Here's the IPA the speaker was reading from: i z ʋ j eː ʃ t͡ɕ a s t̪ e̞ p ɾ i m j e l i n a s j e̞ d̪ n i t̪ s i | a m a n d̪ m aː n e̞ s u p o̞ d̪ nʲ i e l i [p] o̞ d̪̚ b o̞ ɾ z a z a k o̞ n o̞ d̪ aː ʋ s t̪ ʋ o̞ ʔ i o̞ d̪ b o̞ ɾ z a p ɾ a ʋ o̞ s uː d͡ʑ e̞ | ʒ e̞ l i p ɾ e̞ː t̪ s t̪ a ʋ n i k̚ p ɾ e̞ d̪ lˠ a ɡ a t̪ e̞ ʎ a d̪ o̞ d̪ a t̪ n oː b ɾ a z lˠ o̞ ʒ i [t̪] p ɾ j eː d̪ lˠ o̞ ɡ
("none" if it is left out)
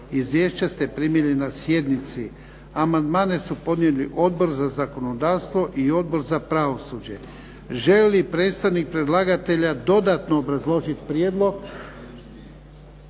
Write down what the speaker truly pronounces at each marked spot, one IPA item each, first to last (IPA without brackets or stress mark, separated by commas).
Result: ʔ, t̪